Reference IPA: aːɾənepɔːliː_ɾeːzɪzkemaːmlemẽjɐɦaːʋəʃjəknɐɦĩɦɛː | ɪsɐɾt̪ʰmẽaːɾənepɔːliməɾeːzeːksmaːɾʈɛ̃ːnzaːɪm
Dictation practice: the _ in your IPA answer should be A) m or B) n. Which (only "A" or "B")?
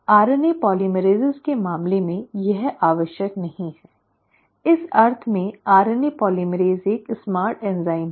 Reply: A